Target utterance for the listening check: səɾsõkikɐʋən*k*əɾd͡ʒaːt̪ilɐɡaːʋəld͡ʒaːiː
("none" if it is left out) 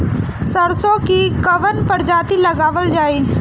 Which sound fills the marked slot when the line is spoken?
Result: p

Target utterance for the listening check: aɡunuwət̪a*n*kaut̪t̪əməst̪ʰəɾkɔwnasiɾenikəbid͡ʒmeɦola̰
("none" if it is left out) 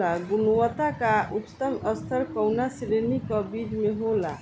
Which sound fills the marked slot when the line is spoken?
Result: none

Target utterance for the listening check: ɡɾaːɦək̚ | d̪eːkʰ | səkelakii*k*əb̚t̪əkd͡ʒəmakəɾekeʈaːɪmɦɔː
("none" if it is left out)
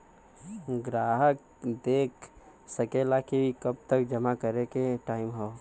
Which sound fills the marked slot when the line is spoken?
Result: k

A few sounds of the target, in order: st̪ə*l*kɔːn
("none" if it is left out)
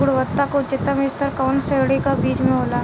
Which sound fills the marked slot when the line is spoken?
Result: ɾ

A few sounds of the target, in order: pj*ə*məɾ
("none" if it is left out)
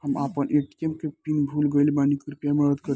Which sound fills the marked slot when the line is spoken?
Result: a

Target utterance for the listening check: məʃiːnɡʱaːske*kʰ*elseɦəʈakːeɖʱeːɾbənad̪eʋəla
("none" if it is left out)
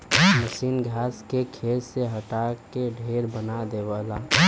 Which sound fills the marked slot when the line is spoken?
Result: kʰ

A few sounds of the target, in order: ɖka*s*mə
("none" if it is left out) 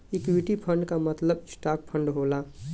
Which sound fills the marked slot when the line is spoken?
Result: none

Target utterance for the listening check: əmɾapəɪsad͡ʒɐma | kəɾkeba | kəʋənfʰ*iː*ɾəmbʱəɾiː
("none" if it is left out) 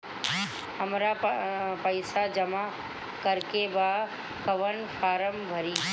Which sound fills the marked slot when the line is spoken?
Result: aː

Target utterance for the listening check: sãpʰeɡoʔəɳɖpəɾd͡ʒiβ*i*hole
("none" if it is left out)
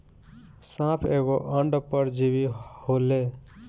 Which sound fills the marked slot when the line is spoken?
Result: i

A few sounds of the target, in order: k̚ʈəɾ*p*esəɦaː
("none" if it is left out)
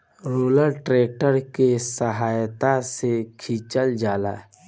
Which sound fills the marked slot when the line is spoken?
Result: k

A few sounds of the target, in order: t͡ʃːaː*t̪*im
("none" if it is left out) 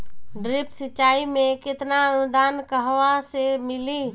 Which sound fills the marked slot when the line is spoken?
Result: none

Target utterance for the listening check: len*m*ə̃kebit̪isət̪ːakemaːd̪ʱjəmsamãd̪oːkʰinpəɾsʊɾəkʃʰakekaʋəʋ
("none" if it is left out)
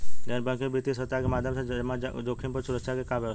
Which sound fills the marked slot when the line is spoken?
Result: b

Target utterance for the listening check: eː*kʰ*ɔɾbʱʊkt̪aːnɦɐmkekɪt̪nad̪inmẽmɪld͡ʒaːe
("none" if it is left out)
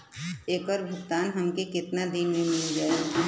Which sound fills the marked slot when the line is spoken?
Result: k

